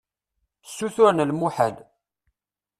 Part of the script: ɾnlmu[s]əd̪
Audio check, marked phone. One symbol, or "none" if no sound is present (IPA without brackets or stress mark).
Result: ħ